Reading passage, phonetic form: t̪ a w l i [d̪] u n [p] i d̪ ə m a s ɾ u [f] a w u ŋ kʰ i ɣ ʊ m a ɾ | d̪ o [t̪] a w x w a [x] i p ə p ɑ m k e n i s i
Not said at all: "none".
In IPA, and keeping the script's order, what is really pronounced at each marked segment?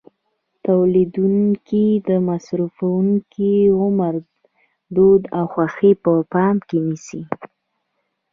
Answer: d̪, k, f, d̪, x

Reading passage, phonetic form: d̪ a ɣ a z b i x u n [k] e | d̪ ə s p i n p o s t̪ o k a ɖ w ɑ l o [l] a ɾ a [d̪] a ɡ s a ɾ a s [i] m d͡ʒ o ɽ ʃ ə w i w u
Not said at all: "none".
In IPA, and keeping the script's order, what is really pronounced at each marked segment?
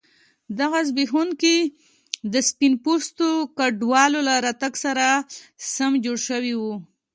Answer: k, l, t̪, a

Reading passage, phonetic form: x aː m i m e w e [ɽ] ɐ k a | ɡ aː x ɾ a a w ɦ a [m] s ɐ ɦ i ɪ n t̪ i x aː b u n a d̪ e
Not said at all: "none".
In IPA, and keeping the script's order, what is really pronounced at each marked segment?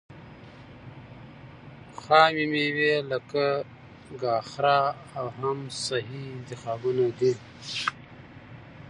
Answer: l, m

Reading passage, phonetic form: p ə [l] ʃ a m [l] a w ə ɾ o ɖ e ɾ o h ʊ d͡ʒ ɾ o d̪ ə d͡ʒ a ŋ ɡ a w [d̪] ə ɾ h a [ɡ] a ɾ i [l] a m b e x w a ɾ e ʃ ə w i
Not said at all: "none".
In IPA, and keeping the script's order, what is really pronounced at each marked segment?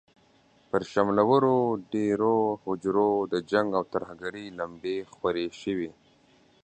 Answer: ɾ, l, t̪, ɡ, l

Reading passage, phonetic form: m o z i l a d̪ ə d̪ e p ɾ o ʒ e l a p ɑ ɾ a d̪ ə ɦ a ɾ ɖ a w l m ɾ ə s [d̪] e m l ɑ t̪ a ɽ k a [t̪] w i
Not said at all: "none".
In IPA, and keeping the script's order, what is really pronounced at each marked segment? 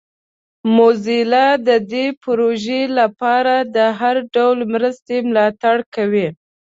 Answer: t̪, none

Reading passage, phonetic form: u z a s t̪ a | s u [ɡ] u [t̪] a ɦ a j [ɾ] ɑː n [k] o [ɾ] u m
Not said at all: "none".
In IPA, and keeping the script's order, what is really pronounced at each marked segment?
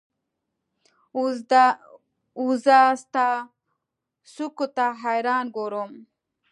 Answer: k, t̪, ɾ, ɡ, ɾ

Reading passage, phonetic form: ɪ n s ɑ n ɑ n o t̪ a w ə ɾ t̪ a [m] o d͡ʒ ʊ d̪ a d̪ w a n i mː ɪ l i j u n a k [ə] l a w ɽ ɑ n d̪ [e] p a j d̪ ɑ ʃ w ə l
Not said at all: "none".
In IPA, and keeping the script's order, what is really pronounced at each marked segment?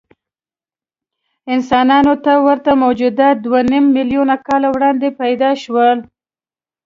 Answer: m, ɑ, e

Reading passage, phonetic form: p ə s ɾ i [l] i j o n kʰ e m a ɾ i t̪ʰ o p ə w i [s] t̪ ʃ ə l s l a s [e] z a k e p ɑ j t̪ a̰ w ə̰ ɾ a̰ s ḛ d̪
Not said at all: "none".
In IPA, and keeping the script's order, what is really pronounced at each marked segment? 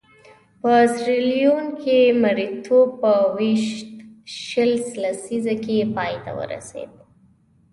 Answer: l, ʃ, i

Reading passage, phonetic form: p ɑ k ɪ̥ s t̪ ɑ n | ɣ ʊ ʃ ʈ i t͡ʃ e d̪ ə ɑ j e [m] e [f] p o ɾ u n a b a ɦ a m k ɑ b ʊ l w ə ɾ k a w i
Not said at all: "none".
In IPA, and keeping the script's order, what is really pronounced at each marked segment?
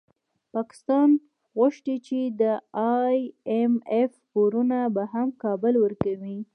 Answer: m, f

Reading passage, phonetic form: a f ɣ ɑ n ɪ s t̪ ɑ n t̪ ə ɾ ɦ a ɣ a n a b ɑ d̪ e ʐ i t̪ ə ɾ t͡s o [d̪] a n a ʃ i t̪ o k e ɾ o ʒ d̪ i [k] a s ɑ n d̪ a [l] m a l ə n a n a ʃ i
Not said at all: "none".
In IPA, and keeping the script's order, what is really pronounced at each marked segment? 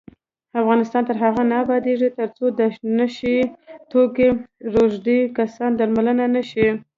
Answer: d̪, k, ɾ

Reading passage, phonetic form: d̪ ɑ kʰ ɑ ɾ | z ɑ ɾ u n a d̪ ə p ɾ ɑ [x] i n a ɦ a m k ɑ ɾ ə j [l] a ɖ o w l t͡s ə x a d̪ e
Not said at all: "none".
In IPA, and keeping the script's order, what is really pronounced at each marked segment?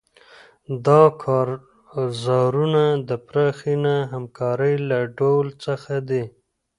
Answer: x, l

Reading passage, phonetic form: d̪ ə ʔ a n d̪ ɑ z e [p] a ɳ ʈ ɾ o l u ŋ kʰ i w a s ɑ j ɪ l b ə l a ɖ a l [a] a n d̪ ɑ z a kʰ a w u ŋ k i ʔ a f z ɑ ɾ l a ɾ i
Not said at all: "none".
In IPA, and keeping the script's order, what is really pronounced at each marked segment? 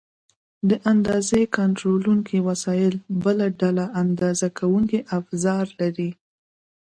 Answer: k, a

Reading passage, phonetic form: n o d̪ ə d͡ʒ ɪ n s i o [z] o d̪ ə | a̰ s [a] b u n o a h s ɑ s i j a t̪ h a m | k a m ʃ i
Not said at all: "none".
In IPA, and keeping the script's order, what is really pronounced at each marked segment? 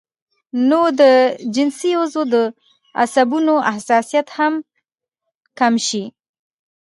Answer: z, a

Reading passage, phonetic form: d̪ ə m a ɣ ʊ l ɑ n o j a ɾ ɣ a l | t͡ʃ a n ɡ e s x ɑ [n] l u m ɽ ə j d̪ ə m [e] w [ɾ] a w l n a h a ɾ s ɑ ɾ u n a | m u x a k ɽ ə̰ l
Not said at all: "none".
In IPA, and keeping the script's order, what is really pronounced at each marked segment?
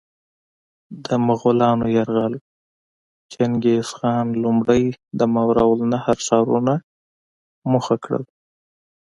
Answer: n, a, ɾ

